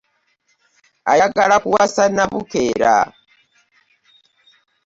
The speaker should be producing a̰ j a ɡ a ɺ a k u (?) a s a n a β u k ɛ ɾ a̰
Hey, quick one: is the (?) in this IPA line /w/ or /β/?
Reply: w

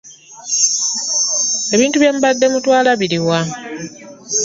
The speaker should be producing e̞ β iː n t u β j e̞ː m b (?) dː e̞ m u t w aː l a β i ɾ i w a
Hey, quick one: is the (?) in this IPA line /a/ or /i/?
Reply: a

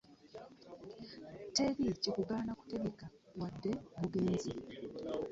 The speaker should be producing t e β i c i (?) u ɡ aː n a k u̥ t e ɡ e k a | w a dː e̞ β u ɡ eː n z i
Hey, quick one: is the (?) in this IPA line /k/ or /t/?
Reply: k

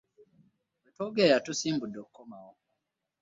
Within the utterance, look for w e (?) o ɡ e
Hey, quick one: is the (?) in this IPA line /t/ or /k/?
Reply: t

